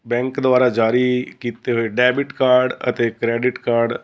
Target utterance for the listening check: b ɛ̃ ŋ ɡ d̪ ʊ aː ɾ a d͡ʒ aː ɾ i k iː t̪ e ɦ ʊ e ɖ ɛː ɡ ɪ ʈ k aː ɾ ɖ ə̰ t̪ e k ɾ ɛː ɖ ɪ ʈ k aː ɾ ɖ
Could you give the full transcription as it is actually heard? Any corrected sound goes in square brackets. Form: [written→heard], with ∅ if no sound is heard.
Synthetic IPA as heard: b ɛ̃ ŋ [ɡ→k] d̪ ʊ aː ɾ a d͡ʒ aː ɾ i k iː t̪ e ɦ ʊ e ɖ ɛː [ɡ→b] ɪ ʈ k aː ɾ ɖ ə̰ t̪ e k ɾ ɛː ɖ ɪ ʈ k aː ɾ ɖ